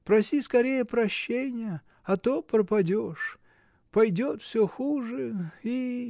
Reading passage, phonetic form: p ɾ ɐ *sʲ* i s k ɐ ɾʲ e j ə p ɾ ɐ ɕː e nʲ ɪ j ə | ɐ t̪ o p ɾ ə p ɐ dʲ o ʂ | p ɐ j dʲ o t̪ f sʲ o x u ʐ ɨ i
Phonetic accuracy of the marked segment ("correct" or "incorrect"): correct